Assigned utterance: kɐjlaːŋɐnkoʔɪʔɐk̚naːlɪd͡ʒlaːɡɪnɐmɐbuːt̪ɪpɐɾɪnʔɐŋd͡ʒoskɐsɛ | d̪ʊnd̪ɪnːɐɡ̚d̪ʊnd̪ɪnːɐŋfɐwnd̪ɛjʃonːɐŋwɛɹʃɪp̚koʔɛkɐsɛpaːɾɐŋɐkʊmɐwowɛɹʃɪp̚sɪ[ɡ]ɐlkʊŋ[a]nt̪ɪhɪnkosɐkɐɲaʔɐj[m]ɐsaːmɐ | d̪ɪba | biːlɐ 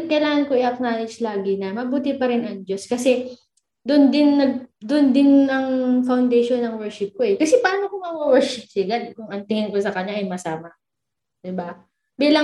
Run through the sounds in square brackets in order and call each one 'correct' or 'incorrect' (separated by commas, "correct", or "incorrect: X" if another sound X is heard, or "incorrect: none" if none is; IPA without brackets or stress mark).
correct, incorrect: ɐ, correct